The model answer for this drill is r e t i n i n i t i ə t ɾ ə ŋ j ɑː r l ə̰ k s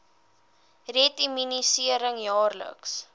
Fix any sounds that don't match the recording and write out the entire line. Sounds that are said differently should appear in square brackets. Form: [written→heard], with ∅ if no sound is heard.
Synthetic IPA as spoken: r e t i [n→m] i n i [t→s] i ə [t→∅] ɾ ə ŋ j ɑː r l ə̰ k s